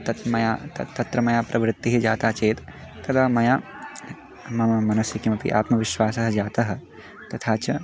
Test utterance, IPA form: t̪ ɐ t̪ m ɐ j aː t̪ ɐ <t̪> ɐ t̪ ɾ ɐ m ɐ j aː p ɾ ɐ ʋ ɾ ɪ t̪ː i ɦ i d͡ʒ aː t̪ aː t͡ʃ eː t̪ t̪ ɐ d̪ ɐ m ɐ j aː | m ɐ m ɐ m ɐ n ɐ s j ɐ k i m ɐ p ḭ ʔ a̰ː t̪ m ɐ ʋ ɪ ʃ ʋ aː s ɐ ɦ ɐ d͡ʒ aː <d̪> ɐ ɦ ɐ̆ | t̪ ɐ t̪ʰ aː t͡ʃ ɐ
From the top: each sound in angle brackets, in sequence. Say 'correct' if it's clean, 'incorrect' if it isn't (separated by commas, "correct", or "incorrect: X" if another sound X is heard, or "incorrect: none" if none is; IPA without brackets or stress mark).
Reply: correct, incorrect: t̪